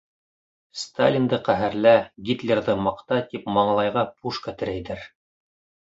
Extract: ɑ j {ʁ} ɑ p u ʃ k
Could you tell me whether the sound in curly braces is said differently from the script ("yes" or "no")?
no